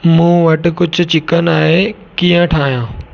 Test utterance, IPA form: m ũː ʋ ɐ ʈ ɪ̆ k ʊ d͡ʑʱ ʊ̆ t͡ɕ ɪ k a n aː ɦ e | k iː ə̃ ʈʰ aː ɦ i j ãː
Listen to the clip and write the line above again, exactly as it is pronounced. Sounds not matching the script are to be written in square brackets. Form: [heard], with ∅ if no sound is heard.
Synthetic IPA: m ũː ʋ ɐ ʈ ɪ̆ k ʊ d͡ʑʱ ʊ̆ t͡ɕ ɪ k [ə] n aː ɦ e | k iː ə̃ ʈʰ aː ɦ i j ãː